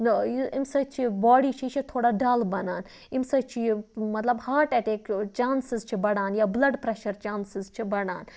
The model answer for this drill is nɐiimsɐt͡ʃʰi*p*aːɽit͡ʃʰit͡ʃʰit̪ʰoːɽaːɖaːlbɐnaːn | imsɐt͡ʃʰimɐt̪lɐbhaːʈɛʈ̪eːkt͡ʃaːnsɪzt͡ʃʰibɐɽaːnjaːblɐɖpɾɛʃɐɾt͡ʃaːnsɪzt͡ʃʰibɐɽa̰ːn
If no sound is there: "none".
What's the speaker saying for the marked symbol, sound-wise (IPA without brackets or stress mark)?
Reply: b